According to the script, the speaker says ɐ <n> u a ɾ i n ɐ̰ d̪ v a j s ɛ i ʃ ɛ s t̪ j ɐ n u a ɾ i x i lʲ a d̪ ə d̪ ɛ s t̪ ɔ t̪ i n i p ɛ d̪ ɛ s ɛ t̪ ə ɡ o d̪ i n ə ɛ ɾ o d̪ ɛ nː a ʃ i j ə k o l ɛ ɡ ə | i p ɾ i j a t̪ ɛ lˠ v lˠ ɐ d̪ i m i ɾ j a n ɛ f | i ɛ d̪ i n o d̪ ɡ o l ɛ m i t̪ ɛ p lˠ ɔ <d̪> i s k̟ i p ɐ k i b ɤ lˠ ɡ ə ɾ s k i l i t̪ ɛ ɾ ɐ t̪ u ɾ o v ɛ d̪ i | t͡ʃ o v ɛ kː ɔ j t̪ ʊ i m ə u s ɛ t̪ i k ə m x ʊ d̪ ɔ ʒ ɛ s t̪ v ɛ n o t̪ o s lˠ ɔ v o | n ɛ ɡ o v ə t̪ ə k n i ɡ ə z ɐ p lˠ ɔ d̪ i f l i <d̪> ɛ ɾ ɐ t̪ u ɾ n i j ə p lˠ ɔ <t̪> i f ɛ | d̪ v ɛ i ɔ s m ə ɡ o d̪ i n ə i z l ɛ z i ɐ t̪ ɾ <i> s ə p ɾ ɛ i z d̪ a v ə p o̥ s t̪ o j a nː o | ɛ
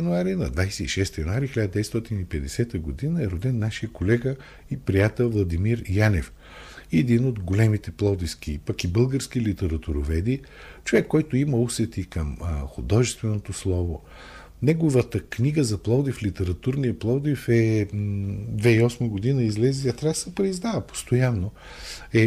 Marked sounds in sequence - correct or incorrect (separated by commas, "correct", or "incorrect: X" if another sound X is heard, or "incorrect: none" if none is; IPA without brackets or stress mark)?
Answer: correct, correct, incorrect: t̪, incorrect: d̪, incorrect: a